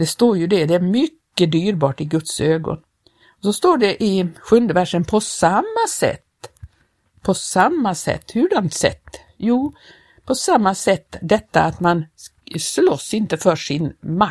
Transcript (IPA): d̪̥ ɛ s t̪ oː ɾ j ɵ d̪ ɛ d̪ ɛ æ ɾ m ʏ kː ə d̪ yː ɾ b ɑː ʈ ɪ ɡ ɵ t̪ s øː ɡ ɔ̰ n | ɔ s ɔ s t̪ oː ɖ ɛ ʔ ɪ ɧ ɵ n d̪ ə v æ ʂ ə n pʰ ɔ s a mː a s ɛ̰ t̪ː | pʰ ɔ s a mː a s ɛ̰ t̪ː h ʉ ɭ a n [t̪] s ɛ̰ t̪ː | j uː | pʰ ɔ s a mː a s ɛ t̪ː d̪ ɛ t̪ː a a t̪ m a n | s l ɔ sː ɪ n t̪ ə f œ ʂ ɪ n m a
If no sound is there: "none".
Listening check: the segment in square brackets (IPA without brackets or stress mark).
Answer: t̪